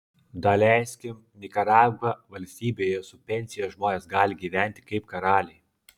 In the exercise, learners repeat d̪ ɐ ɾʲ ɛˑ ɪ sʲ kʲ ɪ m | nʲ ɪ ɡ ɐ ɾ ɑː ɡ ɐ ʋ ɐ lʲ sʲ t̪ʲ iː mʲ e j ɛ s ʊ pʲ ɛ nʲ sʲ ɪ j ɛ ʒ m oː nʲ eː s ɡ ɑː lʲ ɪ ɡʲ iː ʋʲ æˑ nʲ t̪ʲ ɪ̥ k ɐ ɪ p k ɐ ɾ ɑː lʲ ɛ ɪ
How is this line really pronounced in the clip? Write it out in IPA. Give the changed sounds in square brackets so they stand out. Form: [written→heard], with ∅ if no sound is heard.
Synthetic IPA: d̪ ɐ [ɾʲ→lʲ] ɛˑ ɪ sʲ kʲ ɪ m | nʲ ɪ [ɡ→k] ɐ ɾ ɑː ɡ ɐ ʋ ɐ lʲ sʲ t̪ʲ iː [mʲ→bʲ] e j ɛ s ʊ pʲ ɛ nʲ sʲ ɪ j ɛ ʒ m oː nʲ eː s ɡ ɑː lʲ ɪ ɡʲ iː ʋʲ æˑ nʲ t̪ʲ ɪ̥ k ɐ ɪ p k ɐ ɾ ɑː lʲ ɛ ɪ